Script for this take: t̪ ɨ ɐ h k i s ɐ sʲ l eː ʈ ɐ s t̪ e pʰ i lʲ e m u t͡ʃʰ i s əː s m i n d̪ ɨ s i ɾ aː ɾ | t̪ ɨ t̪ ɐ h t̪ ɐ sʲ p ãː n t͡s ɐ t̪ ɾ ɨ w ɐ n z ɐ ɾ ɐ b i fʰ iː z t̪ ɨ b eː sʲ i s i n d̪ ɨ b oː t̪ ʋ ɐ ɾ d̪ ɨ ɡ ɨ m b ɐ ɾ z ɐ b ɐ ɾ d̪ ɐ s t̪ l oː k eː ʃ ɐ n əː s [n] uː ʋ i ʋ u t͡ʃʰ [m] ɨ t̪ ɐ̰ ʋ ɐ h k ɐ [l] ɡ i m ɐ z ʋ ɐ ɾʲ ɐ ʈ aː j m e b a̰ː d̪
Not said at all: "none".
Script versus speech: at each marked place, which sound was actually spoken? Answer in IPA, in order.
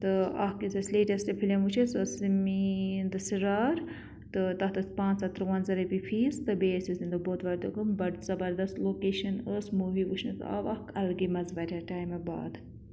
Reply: m, n, l

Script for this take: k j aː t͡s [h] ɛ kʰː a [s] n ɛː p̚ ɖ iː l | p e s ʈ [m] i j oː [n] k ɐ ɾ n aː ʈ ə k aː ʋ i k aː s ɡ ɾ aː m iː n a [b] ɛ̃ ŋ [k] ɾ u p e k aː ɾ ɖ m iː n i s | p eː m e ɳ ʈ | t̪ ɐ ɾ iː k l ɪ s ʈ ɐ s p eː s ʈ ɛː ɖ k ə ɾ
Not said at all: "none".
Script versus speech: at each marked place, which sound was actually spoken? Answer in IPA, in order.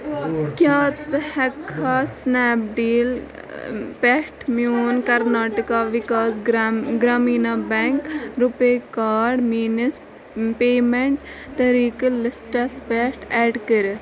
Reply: h, s, m, n, b, k

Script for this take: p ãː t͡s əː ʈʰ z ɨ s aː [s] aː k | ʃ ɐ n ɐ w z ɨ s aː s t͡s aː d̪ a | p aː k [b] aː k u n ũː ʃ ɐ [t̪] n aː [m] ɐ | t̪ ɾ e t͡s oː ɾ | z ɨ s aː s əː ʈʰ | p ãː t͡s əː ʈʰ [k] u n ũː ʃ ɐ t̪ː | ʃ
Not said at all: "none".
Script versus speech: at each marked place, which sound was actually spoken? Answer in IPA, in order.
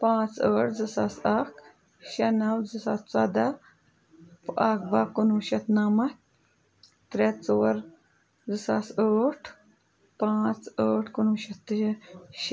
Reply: s, b, t̪, m, k

